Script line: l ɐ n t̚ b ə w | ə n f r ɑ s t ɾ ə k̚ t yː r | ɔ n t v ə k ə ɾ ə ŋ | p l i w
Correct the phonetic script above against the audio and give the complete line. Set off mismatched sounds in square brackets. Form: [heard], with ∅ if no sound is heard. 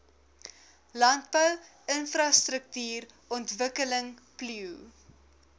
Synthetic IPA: l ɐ n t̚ b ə w | ə n f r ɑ s t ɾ ə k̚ t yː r | ɔ n t v ə k ə [l] ə ŋ | p l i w